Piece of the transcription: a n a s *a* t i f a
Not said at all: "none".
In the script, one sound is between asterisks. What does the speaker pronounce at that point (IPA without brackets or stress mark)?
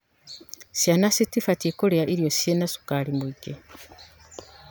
i